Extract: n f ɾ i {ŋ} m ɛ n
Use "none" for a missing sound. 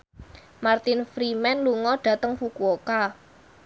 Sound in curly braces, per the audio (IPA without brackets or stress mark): none